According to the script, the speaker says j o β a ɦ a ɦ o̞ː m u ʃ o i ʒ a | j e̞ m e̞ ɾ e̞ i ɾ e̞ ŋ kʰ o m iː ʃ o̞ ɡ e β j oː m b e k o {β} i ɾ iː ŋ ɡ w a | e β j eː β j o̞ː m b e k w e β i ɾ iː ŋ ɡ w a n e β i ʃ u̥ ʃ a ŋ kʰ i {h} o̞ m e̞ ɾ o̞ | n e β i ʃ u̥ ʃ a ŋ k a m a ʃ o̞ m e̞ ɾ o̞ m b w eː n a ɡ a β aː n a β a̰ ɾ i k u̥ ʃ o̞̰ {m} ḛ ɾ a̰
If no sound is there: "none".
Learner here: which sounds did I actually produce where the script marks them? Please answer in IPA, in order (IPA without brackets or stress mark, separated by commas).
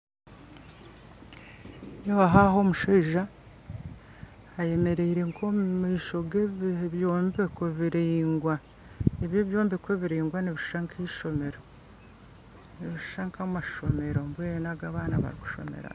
β, ʃ, m